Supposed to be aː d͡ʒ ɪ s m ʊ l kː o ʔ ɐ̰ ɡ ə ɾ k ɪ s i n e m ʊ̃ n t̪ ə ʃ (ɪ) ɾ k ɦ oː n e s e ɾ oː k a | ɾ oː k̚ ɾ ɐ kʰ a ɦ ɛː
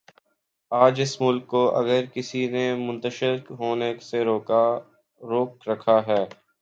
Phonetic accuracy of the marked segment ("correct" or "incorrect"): correct